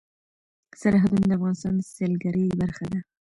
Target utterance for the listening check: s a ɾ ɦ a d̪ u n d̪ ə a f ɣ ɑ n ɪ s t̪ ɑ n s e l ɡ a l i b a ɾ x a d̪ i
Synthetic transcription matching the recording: s a ɾ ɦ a d̪ u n d̪ ə a f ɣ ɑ n ɪ s t̪ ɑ n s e l ɡ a ɾ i b a ɾ x a d̪ a